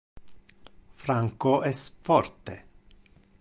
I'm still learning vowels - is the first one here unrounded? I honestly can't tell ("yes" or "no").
yes